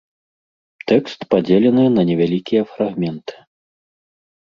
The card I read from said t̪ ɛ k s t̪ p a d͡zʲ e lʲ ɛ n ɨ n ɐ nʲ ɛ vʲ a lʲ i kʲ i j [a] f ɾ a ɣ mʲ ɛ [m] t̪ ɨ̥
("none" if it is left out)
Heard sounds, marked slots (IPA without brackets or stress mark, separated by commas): ɐ, n